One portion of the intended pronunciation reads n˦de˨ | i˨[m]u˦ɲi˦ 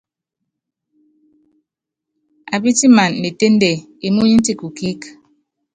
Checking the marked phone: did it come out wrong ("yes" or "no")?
no